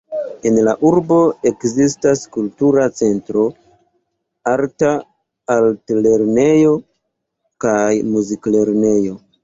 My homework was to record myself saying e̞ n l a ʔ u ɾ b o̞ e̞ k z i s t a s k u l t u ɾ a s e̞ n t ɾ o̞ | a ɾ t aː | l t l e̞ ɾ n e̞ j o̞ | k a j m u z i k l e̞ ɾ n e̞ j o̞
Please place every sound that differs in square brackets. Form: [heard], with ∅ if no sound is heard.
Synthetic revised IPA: e̞ n l a ʔ u ɾ b o̞ e̞ k z i s t a s k u l t u ɾ a [t͡s] e̞ n t ɾ o̞ | a ɾ t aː | l t l e̞ ɾ n e̞ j o̞ | k a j m u z i k l e̞ ɾ n e̞ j o̞